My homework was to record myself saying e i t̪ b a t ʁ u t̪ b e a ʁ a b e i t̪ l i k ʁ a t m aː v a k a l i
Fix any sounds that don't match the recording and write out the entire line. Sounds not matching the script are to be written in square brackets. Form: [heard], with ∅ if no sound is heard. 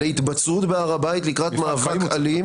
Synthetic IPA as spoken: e i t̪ b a [t͡s] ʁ u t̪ b e a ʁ a b [a] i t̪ l i k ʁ a t m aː v a k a l i

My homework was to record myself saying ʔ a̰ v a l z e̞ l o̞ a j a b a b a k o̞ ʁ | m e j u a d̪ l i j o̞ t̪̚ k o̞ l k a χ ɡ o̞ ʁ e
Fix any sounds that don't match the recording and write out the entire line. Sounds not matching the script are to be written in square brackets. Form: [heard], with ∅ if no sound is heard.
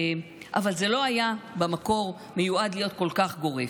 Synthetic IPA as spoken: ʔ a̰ v a l z e̞ l o̞ a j a b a [m] a k o̞ ʁ | m e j u a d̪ l i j o̞ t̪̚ k o̞ l k a χ ɡ o̞ ʁ e

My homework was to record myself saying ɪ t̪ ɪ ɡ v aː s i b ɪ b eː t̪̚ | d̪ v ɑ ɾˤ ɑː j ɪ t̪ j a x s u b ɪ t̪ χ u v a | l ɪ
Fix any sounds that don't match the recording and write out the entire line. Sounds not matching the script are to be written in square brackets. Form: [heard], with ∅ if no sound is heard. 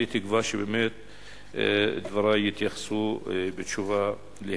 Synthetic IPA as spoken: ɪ t̪ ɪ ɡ v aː [ʃ] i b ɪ [m] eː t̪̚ | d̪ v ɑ ɾˤ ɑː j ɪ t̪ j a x s u b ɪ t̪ [ʃ] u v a | l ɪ

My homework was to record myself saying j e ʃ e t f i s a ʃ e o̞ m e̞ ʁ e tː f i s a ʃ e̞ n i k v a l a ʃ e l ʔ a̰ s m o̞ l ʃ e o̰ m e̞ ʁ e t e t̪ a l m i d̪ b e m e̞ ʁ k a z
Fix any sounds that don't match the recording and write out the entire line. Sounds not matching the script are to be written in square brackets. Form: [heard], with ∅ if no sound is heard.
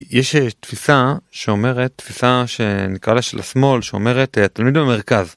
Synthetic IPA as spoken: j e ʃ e t f i s a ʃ e o̞ m e̞ ʁ e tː f i s a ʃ e̞ n i k [ʁ] a l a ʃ e l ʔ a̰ s m o̞ l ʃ e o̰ m e̞ ʁ e t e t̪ a l m i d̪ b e m e̞ ʁ k a z

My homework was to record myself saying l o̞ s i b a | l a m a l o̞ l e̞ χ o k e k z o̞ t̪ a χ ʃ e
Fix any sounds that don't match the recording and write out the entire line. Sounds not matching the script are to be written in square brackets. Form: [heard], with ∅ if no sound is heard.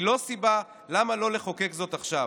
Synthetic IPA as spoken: l o̞ s i b a | l a m a l o̞ l e̞ χ o k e k z o̞ t̪ a χ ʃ [a]

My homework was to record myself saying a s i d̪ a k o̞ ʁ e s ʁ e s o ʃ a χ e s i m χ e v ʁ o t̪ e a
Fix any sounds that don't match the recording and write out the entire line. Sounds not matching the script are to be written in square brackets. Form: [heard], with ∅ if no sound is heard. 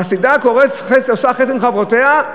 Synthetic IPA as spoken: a s i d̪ a k o̞ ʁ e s [χ] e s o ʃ a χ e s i m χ [a] v ʁ o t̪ e a

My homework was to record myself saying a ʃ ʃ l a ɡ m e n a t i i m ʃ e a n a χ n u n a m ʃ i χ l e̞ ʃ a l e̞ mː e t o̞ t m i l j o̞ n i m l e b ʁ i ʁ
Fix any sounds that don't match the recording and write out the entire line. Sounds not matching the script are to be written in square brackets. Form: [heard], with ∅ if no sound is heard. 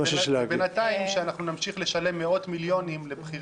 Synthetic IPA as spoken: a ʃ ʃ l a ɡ [b] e n a t [a] i m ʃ e a n a χ n u n a m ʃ i χ l e̞ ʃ a l e̞ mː e [∅] o̞ t m i l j o̞ n i m l e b [χ] i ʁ

